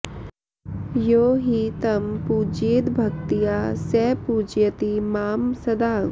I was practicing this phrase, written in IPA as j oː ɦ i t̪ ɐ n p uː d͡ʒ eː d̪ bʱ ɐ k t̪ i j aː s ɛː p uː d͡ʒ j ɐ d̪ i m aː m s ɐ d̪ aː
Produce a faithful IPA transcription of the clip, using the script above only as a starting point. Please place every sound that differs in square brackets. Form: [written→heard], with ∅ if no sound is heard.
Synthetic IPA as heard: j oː ɦ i t̪ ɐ [n→m] p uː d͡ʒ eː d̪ bʱ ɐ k t̪ i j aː s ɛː p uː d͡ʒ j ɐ [d̪→t̪] i m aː m s ɐ d̪ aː